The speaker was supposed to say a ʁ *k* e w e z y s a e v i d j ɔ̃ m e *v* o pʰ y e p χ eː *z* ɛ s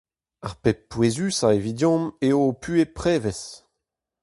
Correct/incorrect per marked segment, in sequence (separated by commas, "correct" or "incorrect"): incorrect, incorrect, incorrect